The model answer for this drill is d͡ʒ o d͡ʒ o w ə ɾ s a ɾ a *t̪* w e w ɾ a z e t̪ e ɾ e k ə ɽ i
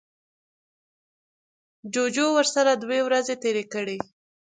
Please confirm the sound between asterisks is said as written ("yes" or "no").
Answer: no